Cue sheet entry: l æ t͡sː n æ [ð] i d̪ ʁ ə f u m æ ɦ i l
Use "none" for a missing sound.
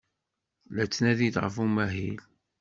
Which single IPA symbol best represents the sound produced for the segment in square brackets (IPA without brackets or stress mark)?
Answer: ð